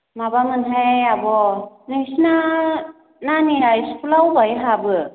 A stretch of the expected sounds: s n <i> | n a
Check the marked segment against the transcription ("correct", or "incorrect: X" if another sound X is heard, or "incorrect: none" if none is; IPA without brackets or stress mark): incorrect: a